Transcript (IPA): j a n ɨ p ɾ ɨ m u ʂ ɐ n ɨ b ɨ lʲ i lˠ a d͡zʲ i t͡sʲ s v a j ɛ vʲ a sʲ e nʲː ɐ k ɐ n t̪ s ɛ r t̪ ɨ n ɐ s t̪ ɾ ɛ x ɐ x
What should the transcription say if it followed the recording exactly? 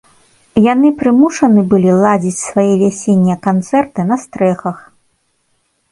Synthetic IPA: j a n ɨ p ɾ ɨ m u ʂ ɐ n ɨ b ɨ lʲ i lˠ a d͡zʲ i t͡sʲ s v a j ɛ vʲ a sʲ e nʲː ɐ k a n t̪ s ɛ r t̪ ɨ n ɐ s t̪ ɾ ɛ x ɐ x